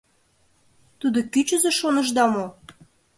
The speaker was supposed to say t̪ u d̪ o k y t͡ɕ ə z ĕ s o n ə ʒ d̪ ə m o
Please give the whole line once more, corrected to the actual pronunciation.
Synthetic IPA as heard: t̪ u d̪ o k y t͡ɕ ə z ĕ ʃ o n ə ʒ d̪ ɑ m o

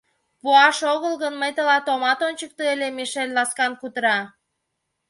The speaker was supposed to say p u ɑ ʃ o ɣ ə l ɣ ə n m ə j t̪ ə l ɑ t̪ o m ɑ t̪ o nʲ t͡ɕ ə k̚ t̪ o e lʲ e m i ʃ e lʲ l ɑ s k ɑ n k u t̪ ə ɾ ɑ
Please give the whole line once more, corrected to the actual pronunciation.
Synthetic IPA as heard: p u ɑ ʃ o ɣ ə l ɣ ə n m ə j t̪ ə l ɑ t̪ o m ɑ t̪ o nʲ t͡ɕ ə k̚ t̪ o e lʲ e m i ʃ e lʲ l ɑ s k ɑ n k u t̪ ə ɾ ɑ

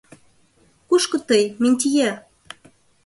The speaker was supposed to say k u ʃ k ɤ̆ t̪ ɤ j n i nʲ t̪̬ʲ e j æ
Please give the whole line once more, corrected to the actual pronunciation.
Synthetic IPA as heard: k u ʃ k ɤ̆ t̪ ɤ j m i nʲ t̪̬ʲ i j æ

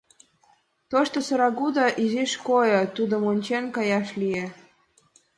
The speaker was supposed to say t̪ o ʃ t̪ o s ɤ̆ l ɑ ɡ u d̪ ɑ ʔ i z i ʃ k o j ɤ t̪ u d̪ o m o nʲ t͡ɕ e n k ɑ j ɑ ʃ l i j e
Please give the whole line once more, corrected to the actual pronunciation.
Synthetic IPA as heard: t̪ o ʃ t̪ o s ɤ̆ ɾ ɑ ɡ u d̪ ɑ ʔ i z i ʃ k o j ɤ t̪ u d̪ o m o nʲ t͡ɕ e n k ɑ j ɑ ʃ l i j e

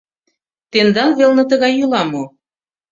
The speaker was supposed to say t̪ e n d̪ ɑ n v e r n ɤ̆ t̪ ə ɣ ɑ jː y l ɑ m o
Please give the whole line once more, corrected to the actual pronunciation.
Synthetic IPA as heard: t̪ e n d̪ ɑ n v e l n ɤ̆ t̪ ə ɣ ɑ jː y l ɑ m o

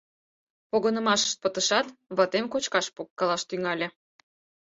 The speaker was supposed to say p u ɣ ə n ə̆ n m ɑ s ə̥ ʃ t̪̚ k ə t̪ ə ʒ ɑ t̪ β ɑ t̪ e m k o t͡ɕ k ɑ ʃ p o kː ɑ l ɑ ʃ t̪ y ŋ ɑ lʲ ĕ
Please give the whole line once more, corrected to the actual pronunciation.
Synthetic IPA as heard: p o ɣ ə n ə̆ m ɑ ʃ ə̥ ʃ t̪̚ p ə t̪ ə ʃ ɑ t̪ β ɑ t̪ e m k o t͡ɕ k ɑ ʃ p o kː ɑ l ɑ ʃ t̪ y ŋ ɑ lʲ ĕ

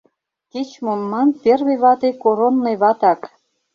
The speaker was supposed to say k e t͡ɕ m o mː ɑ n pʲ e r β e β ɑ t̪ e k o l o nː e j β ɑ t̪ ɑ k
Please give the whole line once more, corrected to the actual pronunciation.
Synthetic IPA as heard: k e t͡ɕ m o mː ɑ n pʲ e r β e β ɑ t̪ e k o ɾ o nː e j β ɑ t̪ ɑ k

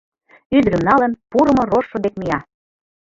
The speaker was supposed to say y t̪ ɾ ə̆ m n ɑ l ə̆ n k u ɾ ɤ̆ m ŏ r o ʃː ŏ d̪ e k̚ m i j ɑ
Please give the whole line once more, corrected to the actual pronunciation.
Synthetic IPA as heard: y d̪ ɾ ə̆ m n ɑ l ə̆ n p u ɾ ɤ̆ m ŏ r o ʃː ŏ d̪ e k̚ m i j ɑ

